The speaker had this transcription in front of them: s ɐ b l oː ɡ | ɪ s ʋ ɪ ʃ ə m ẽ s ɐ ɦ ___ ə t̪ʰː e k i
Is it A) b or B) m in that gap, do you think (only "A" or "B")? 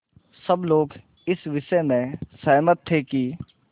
B